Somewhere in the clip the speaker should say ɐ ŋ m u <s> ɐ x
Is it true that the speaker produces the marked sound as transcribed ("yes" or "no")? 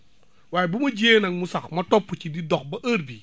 yes